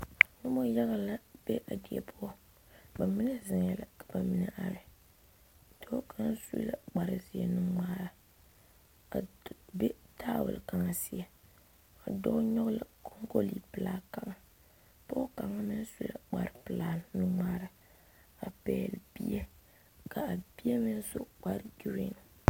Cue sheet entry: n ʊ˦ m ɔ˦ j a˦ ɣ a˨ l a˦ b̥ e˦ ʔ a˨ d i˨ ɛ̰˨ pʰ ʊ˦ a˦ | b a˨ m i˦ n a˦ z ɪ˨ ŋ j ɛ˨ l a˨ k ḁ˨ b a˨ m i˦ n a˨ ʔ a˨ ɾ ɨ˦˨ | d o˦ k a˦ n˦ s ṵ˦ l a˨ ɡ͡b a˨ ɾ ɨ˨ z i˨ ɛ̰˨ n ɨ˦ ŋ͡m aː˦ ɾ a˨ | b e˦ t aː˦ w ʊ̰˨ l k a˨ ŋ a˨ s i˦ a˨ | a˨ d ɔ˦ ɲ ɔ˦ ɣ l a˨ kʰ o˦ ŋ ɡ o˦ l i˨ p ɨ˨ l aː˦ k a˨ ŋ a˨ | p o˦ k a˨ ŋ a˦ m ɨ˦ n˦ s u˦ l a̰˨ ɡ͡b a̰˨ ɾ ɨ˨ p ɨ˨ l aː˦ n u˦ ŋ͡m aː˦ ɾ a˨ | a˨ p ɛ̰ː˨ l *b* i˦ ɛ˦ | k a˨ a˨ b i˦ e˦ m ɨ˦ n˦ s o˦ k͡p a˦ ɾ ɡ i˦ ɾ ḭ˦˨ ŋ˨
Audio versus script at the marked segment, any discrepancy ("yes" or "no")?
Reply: no